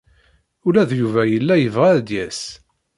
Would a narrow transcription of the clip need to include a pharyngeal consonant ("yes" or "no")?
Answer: no